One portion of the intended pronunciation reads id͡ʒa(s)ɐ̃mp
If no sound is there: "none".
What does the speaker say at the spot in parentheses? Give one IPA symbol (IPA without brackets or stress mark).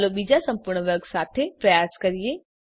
s